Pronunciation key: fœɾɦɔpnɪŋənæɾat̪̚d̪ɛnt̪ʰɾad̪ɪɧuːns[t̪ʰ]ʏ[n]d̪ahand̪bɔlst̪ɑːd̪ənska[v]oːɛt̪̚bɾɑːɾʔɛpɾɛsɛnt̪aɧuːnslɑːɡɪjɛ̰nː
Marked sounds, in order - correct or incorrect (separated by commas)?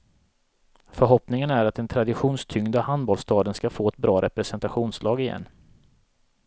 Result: correct, incorrect, incorrect